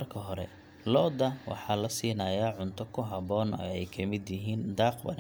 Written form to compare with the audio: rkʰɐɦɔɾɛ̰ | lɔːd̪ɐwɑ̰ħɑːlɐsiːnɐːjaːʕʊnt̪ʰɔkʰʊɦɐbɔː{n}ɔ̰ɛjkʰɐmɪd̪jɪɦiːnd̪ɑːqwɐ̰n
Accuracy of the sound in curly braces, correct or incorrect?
correct